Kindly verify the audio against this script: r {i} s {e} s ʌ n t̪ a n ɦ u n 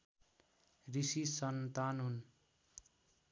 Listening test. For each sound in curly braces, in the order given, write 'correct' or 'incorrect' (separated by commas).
correct, incorrect